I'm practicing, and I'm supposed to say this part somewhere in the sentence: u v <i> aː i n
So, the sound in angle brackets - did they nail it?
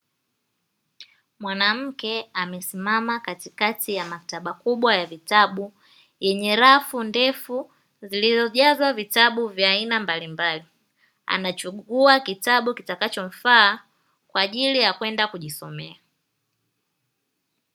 no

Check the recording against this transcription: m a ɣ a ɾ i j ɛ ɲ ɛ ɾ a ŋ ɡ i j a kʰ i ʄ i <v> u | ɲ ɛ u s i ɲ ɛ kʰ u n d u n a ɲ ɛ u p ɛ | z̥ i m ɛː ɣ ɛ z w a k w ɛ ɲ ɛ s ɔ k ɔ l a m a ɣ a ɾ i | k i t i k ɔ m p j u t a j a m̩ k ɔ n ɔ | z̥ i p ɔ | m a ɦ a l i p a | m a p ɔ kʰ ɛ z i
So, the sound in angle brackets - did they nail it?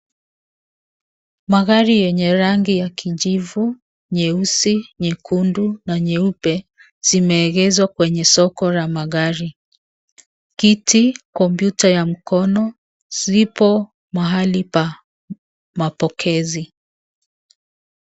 yes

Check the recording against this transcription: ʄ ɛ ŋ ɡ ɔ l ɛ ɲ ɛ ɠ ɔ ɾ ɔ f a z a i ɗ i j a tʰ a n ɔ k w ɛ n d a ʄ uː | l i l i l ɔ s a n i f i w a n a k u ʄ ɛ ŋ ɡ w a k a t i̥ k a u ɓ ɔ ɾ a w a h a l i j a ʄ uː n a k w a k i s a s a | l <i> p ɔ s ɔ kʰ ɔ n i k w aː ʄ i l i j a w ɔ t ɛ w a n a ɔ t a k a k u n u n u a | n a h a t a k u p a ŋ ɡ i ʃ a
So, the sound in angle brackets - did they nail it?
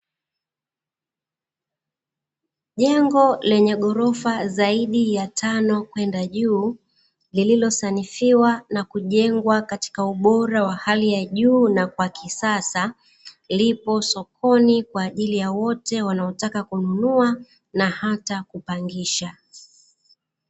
yes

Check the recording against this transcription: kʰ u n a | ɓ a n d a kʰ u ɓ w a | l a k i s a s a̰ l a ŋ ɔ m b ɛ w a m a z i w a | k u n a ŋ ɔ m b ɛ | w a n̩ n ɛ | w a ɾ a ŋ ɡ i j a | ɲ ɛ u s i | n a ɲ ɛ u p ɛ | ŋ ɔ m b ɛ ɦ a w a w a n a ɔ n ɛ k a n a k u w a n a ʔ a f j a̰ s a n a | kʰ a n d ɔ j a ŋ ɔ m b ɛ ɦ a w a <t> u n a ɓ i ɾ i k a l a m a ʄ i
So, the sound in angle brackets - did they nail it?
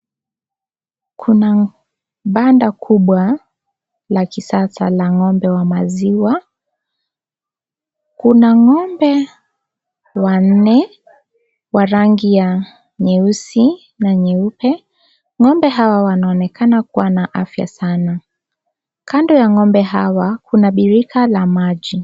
no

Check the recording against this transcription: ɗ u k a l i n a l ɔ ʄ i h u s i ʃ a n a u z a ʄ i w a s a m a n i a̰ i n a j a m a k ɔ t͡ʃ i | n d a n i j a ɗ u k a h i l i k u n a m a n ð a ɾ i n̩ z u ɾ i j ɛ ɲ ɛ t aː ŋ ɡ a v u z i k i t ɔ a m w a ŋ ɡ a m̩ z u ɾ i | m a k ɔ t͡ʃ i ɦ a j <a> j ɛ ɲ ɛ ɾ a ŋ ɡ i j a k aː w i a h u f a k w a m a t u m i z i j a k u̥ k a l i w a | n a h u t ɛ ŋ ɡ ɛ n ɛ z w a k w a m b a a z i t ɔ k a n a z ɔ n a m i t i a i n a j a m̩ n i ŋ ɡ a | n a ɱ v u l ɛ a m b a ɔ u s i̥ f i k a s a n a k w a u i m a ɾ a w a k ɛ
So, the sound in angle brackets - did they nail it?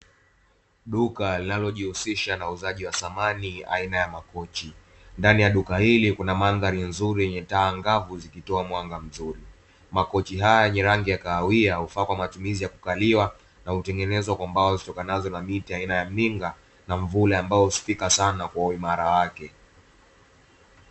yes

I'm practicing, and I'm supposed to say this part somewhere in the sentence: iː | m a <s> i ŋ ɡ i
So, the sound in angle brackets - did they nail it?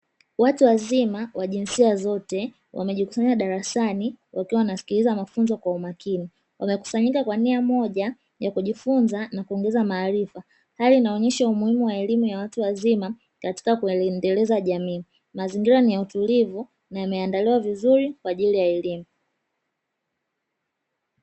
no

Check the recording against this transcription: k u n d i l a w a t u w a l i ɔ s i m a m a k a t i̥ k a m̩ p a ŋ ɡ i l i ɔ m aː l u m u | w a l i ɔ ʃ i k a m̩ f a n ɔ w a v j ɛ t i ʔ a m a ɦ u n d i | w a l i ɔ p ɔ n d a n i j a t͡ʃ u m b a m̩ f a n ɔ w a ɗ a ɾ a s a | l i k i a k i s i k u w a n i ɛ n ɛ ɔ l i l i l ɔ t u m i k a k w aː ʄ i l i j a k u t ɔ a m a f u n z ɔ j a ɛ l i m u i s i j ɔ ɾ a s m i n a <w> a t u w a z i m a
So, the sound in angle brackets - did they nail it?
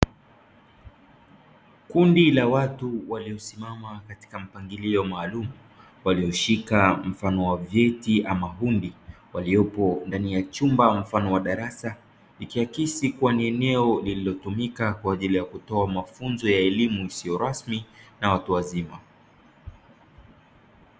yes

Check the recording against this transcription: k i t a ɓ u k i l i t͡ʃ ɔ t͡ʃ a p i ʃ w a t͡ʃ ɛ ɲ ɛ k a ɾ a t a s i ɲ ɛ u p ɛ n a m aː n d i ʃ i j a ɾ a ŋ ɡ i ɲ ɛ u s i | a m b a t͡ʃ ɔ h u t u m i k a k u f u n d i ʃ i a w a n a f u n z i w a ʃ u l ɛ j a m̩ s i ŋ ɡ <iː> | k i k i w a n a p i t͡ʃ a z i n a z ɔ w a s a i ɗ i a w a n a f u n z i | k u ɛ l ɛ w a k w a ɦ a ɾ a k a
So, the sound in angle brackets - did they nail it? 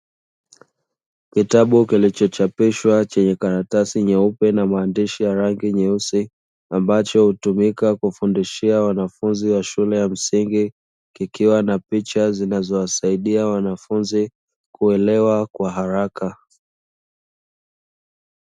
no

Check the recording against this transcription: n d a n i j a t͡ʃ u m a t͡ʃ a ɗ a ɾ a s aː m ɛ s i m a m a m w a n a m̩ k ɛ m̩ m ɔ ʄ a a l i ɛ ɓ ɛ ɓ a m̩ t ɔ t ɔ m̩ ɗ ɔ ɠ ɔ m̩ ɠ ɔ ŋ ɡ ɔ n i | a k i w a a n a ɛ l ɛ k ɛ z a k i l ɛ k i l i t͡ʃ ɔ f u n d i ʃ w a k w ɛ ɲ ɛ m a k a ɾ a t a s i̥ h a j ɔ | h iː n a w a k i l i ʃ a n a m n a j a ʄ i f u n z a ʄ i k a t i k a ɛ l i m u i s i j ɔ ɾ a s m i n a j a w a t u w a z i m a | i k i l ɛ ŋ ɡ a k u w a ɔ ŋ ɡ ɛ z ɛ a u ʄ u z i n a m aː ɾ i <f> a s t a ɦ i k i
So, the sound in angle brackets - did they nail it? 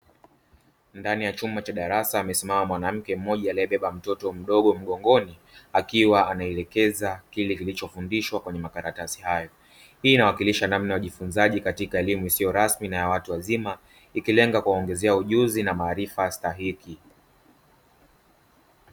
yes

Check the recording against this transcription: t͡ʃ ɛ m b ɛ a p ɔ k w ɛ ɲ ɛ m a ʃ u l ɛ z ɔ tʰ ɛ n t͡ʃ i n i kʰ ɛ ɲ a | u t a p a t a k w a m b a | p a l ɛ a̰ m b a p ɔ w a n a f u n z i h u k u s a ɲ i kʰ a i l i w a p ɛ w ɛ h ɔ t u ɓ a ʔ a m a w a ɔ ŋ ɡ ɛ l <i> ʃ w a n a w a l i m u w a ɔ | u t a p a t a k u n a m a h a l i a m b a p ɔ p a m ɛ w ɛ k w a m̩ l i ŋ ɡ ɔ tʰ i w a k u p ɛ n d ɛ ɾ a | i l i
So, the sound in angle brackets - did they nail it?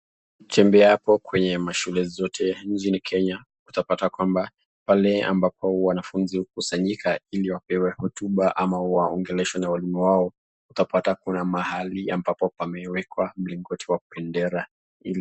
no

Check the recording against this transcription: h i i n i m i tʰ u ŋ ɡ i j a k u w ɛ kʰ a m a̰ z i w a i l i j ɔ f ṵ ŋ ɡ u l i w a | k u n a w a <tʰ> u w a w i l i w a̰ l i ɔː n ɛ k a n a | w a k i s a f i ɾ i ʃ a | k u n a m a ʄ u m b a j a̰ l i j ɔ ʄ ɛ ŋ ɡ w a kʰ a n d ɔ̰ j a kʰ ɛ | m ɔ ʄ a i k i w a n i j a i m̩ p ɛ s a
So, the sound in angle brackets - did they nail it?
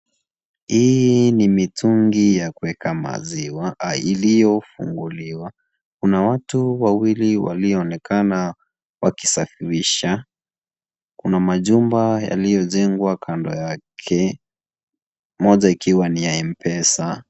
no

